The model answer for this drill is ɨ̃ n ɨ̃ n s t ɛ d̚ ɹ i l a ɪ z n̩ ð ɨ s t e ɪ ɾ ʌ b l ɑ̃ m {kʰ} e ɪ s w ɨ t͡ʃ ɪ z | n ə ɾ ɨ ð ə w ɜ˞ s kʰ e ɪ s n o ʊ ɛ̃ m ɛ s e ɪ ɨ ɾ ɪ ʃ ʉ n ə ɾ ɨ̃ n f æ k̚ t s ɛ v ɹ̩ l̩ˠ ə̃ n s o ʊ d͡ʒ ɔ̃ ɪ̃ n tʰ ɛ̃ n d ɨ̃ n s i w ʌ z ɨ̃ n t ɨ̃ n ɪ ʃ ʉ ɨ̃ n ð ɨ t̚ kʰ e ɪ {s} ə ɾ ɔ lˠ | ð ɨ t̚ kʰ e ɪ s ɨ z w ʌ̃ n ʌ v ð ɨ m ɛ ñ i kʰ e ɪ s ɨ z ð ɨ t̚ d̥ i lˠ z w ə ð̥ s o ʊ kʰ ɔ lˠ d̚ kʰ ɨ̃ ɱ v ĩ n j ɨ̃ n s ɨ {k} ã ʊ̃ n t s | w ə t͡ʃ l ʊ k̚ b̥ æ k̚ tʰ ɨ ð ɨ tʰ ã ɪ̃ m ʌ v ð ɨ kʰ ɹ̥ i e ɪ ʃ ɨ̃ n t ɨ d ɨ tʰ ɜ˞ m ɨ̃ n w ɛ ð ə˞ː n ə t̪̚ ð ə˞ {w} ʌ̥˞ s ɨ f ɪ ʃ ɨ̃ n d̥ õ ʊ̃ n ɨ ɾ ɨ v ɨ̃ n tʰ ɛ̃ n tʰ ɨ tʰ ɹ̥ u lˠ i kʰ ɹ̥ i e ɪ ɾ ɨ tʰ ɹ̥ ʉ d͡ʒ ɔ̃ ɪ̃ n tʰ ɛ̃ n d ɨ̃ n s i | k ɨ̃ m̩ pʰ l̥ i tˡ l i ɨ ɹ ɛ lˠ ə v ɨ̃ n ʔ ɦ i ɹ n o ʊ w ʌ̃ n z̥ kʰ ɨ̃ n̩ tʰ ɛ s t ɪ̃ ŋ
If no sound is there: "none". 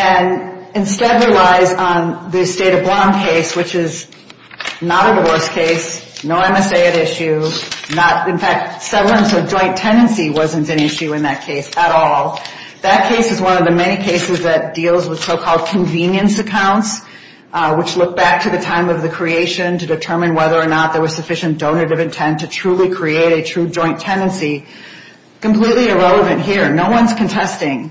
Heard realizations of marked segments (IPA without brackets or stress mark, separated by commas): kʰ, s, kʰ, w